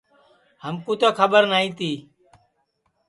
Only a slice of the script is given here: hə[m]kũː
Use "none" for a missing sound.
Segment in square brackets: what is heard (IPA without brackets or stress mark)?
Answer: m